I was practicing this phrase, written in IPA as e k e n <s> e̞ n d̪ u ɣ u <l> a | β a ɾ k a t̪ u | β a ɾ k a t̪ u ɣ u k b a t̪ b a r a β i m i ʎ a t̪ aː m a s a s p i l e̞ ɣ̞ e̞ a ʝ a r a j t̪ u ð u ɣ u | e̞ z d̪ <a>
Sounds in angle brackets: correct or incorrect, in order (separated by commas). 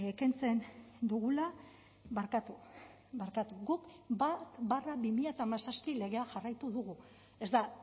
incorrect, correct, correct